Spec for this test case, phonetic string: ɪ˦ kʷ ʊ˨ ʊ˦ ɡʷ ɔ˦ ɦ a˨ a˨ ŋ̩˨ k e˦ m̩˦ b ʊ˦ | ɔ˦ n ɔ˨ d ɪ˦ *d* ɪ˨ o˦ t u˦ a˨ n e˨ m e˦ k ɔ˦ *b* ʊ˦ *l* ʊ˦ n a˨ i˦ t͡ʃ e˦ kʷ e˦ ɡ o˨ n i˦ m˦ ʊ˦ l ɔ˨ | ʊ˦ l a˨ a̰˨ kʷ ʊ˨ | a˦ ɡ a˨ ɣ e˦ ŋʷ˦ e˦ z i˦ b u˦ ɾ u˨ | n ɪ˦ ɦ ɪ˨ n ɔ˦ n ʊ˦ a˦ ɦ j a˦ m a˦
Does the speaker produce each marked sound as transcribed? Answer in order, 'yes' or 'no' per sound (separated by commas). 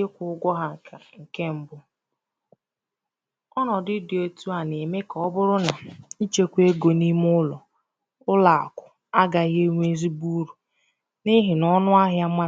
yes, yes, no